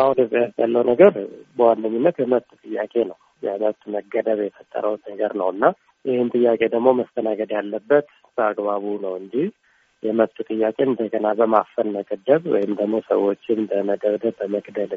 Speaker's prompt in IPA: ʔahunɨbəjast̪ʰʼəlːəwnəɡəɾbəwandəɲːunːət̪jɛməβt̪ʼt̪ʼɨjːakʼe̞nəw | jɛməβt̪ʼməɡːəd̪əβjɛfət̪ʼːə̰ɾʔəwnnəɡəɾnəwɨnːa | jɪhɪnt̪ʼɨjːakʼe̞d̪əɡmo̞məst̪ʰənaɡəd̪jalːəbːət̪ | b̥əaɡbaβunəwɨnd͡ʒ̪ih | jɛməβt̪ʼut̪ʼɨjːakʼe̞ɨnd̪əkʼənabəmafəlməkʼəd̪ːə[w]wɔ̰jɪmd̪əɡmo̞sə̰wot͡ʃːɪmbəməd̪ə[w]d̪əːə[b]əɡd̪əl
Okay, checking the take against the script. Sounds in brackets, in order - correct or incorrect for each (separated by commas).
incorrect, incorrect, incorrect